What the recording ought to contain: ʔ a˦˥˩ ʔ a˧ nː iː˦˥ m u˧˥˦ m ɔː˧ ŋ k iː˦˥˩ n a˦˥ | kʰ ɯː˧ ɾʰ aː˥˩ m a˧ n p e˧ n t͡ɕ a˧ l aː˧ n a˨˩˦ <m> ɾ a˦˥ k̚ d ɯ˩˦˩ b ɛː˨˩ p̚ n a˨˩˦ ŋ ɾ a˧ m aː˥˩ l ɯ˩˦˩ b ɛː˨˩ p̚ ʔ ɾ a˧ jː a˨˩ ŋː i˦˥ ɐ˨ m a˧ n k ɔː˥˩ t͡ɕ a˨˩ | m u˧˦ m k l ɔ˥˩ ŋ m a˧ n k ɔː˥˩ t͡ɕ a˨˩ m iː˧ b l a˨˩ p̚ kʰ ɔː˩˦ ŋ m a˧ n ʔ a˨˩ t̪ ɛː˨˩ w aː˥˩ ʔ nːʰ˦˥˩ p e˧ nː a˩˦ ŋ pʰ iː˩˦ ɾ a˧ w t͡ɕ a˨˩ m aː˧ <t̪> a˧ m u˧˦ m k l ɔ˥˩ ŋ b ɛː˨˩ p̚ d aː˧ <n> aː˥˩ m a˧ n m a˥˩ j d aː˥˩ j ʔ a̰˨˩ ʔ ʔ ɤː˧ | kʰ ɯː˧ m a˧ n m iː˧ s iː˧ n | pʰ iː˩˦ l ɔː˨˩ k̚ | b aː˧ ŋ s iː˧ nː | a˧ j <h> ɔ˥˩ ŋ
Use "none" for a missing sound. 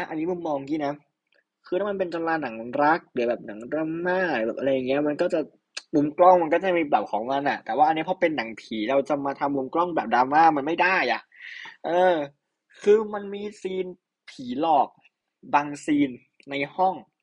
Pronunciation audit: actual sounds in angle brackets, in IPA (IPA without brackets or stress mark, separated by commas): ŋ, t̪ʰ, m, h